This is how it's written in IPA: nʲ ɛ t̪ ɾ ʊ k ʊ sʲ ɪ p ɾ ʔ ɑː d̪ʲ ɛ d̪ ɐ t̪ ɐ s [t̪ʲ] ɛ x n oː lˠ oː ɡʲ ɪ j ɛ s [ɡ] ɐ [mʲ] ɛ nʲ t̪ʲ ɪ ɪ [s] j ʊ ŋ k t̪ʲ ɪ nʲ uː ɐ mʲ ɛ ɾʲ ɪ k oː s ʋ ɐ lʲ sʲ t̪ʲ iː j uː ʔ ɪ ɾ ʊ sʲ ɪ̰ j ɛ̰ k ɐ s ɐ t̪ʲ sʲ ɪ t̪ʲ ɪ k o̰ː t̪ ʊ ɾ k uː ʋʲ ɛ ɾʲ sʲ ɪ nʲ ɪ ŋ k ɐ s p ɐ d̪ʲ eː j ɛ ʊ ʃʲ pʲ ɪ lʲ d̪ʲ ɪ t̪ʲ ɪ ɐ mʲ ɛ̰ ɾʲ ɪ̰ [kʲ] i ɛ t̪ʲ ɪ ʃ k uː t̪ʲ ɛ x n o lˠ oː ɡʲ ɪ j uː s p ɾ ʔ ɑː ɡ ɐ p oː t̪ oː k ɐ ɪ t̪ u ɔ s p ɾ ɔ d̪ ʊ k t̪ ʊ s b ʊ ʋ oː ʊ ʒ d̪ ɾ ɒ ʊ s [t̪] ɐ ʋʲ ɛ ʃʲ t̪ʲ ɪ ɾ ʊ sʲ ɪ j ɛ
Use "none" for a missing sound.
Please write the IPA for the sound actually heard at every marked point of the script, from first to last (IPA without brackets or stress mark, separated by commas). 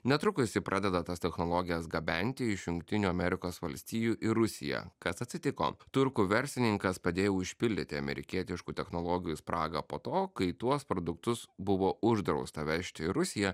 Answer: t̪ʲ, ɡ, bʲ, ʃ, kʲ, t̪